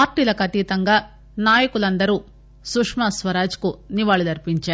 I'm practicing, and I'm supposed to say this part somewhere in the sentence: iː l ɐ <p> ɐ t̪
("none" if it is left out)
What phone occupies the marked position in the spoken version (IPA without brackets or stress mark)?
k